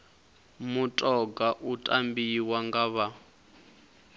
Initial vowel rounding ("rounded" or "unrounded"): rounded